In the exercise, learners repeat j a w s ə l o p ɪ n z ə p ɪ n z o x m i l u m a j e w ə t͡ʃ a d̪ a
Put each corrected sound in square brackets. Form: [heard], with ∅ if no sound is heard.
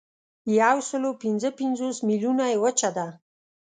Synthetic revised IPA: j a w s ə l o p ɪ n z ə p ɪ n z o [s] m i l u [n] a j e w ə t͡ʃ a d̪ a